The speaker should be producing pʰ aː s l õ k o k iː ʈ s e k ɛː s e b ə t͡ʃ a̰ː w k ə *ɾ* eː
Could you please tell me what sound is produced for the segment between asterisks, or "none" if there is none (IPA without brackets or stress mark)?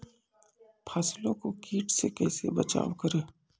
ɾ